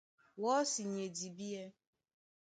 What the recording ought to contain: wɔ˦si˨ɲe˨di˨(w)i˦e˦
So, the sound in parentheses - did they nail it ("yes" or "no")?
no